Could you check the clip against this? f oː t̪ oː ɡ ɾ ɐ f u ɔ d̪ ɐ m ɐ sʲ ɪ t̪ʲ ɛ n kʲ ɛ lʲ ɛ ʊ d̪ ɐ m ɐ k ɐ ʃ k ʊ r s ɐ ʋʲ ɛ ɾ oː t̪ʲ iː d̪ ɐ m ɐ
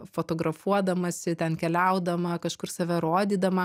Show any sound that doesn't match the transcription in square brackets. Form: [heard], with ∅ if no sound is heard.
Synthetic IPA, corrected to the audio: f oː t̪ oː ɡ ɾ ɐ f u ɔ d̪ ɐ m ɐ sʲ ɪ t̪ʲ ɛ n kʲ ɛ lʲ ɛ ʊ d̪ ɐ m ɐ k ɐ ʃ k ʊ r s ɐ ʋʲ ɛ ɾ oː [d̪ʲ] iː d̪ ɐ m ɐ